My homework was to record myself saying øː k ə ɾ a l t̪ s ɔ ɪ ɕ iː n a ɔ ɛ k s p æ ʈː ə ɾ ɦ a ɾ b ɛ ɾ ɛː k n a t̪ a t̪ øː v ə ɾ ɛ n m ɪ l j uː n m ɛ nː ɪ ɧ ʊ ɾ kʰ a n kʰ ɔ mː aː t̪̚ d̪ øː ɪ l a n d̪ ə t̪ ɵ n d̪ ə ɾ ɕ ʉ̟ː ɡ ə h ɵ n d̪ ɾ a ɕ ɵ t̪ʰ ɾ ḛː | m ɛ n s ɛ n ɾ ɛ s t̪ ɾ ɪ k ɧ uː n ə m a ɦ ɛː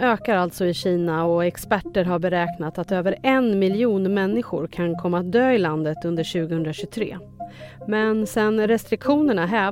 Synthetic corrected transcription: øː k a ɾ a l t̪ s ɔ ɪ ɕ iː n a ɔ ɛ k s p æ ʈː ə ɾ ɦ a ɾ b ɛ ɾ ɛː k n a t̪ a t̪ øː v ə ɾ ɛ n m ɪ l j uː n m ɛ nː ɪ ɧ ʊ ɾ kʰ a n kʰ ɔ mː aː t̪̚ d̪ øː ɪ l a n d̪ ə t̪ ɵ n d̪ ə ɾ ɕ ʉ̟ː ɡ ə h ɵ n d̪ ɾ a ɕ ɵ t̪ʰ ɾ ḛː | m ɛ n s ɛ n ɾ ɛ s t̪ ɾ ɪ k ɧ uː n ə ɳ a ɦ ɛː